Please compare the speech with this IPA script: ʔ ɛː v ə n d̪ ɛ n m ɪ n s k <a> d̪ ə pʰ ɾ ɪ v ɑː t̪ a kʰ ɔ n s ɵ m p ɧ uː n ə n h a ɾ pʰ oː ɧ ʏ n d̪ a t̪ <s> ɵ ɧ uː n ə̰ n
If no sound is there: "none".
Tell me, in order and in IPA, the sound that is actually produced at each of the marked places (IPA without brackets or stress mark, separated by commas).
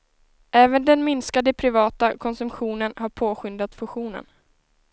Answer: a, f